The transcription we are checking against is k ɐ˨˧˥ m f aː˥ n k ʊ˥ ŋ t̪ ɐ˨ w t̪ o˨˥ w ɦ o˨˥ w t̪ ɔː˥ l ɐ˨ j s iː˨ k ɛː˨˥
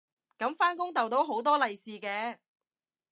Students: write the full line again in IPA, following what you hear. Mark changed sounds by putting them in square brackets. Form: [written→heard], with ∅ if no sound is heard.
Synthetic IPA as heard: k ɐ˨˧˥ m f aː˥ n k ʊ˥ ŋ t̪ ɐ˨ w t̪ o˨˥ w ɦ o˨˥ w t̪ ɔː˥ l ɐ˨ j s iː˨ k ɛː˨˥